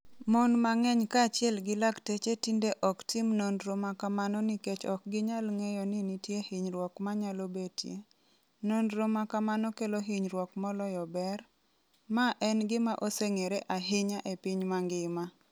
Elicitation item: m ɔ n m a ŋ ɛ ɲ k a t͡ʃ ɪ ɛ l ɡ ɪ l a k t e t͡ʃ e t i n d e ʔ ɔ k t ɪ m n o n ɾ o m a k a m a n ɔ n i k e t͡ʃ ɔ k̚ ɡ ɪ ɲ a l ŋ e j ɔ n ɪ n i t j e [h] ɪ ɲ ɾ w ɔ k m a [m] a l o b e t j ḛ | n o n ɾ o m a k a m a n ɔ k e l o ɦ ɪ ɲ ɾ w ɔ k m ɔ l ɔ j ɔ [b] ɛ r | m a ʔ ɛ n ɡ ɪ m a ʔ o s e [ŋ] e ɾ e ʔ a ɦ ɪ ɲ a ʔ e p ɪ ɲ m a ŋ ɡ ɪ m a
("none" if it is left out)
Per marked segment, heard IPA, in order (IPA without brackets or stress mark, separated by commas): h, ɲ, b, ŋ